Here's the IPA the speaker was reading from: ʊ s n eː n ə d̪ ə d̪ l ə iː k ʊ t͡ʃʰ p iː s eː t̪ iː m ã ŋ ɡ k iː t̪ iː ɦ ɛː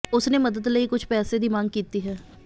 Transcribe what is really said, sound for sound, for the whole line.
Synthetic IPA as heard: ʊ s n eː m ə d̪ ə d̪ l ə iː k ʊ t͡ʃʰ p ɛː s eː d̪ iː m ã ŋ ɡ k iː t̪ iː ɦ ɛː